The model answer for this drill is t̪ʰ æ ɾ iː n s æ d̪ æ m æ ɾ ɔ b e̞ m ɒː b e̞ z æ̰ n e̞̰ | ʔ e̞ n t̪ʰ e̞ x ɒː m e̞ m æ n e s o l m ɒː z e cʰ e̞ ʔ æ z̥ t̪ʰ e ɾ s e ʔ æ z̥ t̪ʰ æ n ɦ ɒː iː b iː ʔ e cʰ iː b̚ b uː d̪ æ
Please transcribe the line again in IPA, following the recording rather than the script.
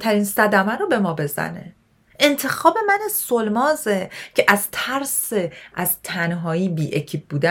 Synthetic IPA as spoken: t̪ʰ æ ɾ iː n s æ d̪ æ m æ ɾ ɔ b e̞ m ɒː b e̞ z æ̰ n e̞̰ | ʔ e̞ n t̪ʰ e̞ x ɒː b e̞ m æ n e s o l m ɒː z e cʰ e̞ ʔ æ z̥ t̪ʰ æ ɾ s e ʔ æ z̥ t̪ʰ æ n ɦ ɒː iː b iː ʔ e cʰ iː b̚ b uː d̪ æ